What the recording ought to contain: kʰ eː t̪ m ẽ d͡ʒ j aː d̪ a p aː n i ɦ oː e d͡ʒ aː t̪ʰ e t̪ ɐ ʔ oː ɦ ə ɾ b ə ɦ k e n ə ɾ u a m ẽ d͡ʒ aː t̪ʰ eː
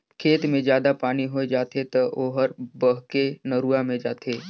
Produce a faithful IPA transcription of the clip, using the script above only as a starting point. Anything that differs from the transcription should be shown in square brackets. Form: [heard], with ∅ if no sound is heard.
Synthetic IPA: kʰ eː t̪ m ẽ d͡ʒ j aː d̪ a p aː n i ɦ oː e d͡ʒ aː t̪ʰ e t̪ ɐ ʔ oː ɦ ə ɾ b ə ɦ k e n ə ɾ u a m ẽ d͡ʒ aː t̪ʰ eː